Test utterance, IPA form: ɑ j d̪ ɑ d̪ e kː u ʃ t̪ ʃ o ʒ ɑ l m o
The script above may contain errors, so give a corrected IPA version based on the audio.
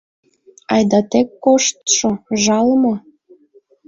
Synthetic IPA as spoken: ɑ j d̪ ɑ t̪ e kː o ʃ t̪ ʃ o ʒ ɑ l m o

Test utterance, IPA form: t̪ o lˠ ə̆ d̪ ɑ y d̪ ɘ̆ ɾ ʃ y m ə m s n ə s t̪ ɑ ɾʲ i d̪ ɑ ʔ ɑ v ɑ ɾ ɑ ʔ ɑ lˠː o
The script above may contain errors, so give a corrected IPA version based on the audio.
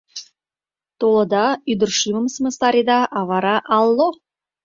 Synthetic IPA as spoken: t̪ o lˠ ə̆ d̪ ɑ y d̪ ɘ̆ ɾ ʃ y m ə m s m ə s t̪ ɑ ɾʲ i d̪ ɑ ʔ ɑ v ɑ ɾ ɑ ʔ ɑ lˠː o

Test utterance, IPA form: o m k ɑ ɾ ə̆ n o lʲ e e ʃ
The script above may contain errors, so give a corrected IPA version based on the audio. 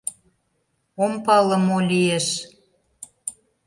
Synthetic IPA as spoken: o m p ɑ l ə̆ m o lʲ i e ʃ

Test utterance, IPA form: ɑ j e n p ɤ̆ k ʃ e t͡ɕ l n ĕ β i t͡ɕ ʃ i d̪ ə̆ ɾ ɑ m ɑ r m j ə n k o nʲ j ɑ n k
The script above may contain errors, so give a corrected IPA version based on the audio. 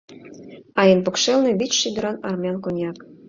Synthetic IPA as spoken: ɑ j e n p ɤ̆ k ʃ e l n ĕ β i t͡ɕ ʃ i d̪ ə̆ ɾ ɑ n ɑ r m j ɑ n k o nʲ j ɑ k

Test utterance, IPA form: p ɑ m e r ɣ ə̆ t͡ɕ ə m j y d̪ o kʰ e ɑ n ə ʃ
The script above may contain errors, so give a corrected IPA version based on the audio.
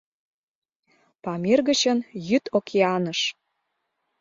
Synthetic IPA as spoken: p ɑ m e r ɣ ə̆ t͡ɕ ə n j y t̪ o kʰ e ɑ n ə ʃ

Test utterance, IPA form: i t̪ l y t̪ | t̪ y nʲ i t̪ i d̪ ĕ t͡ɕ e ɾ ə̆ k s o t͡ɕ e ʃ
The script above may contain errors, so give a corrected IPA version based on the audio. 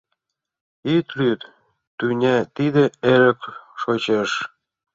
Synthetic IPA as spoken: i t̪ l y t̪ | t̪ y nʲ æ t̪ i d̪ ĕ e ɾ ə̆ k ʃ o t͡ɕ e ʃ

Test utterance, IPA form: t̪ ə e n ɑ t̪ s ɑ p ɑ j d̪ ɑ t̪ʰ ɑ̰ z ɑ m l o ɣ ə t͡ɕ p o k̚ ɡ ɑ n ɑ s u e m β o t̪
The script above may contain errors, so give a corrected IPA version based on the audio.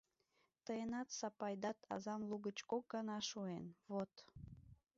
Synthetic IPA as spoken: t̪ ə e n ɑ t̪ s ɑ p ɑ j d̪ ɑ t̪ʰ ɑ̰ z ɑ m l u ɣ ə t͡ɕ k o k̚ ɡ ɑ n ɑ ʃ u e n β o t̪

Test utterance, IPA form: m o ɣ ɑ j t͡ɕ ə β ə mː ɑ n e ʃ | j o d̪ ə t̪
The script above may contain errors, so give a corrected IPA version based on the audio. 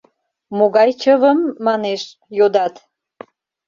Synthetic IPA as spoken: m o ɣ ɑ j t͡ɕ ə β ə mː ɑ n e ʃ | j o d̪ ɑ t̪

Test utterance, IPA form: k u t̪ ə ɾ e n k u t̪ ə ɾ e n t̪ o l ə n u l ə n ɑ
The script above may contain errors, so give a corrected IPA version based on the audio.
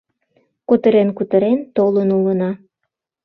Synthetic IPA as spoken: k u t̪ ə ɾ e n k u t̪ ə ɾ e n t̪ o l ə n u l ə n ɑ

